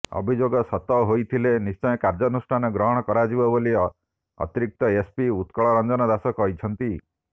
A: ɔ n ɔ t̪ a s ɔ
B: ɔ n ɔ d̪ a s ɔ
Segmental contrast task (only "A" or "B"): B